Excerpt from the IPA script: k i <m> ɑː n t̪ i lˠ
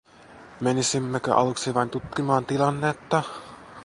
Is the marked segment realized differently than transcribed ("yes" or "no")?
no